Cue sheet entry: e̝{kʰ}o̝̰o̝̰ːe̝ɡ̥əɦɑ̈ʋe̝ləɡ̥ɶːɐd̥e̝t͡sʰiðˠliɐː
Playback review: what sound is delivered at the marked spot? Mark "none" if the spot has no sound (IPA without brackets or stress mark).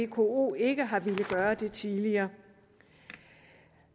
kʰ